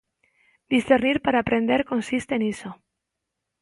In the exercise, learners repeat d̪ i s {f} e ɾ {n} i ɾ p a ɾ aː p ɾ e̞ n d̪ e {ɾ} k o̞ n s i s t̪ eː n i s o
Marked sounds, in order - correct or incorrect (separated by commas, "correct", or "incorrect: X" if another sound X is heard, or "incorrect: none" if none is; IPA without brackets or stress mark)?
incorrect: θ, correct, correct